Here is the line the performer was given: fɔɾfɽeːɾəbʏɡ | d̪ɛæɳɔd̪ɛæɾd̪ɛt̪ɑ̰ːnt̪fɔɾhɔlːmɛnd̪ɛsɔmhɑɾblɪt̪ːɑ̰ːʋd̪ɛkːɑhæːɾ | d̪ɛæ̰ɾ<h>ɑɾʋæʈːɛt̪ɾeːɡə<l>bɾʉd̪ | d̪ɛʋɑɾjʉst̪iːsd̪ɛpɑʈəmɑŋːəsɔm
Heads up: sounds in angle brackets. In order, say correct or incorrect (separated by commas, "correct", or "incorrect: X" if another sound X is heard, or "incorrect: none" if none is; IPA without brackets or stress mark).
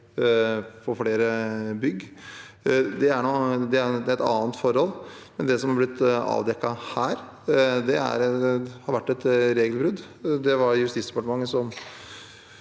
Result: correct, correct